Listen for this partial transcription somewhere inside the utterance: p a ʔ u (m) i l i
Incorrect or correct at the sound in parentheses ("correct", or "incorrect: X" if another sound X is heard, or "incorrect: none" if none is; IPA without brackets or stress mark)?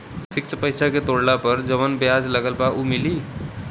correct